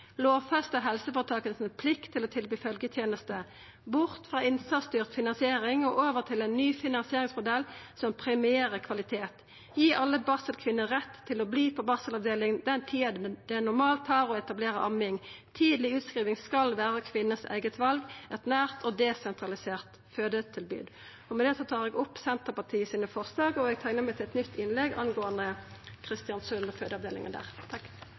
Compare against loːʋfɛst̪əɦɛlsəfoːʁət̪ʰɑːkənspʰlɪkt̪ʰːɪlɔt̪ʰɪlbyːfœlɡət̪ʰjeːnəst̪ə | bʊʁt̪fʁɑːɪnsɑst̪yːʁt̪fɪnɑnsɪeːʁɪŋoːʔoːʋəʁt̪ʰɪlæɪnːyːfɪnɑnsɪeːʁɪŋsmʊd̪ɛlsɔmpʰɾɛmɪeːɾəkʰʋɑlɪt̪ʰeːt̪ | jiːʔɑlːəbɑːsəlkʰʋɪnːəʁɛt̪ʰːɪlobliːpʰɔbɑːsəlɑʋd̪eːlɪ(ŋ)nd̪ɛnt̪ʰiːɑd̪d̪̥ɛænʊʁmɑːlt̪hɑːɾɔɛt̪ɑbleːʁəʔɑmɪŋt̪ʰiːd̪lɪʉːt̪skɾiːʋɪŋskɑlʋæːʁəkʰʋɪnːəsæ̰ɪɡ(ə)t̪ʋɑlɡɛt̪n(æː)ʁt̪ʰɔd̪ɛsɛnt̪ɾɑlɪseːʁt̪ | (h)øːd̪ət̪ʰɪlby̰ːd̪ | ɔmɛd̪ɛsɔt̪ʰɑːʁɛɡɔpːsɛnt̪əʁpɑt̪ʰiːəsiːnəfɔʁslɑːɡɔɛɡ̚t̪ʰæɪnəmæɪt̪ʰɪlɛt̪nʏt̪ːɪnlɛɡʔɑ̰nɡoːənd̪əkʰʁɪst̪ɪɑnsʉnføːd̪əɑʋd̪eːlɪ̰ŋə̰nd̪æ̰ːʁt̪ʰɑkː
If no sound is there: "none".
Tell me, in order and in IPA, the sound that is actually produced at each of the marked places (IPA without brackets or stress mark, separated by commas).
ŋ, ə, æː, f